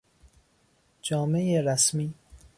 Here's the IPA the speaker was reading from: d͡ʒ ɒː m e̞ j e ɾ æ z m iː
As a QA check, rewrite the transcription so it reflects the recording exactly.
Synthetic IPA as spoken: d͡ʒ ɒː m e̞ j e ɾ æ s m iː